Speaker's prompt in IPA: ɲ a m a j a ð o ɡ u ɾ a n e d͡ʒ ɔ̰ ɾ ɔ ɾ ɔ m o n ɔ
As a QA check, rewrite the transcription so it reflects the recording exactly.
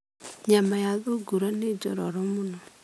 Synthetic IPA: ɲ a m a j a ð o ɡ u ɾ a n e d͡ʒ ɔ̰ ɾ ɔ ɾ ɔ m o n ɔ